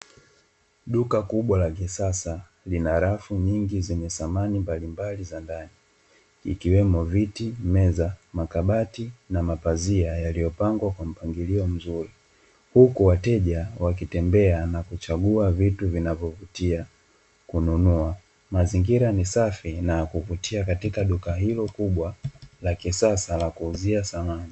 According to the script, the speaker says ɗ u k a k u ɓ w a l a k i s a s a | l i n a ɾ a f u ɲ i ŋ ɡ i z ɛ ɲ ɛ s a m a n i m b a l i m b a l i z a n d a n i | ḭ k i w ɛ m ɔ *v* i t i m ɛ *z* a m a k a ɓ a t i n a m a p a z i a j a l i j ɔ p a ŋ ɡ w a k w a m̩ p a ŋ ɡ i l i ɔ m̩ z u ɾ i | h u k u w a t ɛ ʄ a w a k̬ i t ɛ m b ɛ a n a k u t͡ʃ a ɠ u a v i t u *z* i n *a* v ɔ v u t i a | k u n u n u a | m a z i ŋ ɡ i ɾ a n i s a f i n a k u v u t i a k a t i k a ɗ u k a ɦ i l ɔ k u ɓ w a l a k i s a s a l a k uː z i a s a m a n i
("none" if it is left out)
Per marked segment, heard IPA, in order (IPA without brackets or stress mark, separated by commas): v, z, v, a